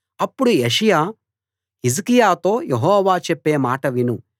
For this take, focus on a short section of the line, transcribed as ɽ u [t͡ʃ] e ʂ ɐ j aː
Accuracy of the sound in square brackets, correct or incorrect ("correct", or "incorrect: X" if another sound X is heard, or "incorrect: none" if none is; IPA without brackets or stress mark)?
incorrect: none